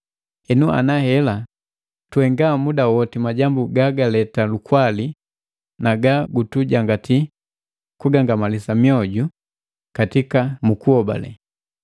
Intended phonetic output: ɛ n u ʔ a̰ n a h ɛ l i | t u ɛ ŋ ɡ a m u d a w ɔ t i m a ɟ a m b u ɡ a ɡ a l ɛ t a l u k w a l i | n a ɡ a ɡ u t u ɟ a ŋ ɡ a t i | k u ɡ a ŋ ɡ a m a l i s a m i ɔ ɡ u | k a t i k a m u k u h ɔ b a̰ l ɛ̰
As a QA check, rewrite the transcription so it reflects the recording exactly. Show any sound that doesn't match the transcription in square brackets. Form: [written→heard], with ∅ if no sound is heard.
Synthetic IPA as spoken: ɛ n u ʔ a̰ n a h ɛ l [i→a] | t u ɛ ŋ ɡ a m u d a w ɔ t i m a ɟ a m b u ɡ a ɡ a l ɛ t a l u k w a l i | n a ɡ a ɡ u t u ɟ a ŋ ɡ a t i | k u ɡ a ŋ ɡ a m a l i s a m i ɔ [ɡ→ɟ] u | k a t i k a m u k u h ɔ b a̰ l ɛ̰